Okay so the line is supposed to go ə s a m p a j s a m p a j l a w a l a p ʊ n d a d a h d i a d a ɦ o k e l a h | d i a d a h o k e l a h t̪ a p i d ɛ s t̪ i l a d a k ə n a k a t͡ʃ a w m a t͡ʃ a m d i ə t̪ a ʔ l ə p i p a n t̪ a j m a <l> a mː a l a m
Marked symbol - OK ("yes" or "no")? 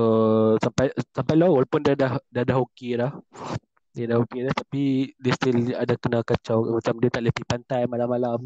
yes